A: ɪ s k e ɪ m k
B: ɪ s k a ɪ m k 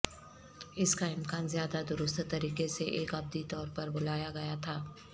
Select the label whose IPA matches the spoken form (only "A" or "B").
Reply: B